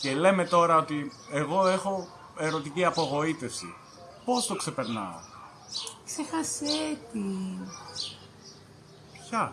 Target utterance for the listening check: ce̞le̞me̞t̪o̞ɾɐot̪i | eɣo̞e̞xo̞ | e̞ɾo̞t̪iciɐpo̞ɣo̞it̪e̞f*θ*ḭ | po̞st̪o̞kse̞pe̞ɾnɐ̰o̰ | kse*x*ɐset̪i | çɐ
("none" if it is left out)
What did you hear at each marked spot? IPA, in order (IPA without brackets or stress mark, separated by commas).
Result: s, x